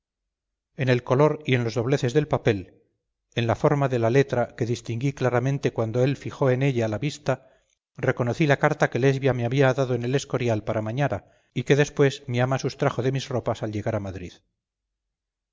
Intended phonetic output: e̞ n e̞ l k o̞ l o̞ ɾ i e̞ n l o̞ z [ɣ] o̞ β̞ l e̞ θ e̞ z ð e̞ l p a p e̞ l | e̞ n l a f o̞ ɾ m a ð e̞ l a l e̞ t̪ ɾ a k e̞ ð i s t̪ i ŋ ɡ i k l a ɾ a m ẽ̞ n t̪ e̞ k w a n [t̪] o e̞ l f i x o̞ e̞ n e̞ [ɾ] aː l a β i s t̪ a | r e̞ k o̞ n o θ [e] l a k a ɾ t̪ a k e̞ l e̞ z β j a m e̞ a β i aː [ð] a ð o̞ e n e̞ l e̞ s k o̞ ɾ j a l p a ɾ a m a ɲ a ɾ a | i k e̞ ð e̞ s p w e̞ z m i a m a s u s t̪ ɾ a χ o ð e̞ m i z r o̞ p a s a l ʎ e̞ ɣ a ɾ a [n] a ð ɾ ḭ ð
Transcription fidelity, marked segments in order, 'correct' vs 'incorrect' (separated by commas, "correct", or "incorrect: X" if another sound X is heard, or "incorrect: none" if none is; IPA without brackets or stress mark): incorrect: ð, incorrect: d̪, incorrect: ʎ, incorrect: i, correct, incorrect: m